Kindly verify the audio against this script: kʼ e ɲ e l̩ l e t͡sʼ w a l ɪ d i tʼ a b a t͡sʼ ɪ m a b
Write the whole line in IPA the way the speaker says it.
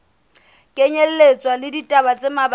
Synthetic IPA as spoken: kʼ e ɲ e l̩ l e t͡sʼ w a l ɪ d i tʼ a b a t͡sʼ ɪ m a b